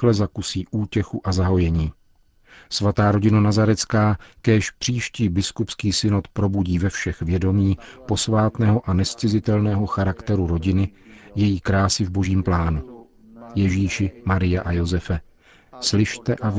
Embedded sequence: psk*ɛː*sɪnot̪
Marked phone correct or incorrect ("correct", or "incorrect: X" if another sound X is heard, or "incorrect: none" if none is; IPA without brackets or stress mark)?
incorrect: iː